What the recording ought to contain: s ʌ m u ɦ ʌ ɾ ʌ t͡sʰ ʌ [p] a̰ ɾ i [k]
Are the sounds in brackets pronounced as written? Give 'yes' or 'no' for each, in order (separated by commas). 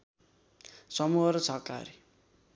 no, no